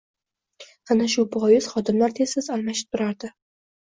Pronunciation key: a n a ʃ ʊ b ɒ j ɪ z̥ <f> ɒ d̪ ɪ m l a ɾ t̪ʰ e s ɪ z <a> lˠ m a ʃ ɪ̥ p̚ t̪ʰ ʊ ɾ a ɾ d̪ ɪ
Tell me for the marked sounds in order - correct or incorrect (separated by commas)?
incorrect, correct